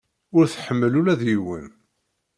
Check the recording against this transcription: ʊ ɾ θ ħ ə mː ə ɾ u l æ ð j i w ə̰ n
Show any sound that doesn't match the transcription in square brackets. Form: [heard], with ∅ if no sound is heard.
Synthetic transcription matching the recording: ʊ ɾ θ ħ ə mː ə [l] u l æ ð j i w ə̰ n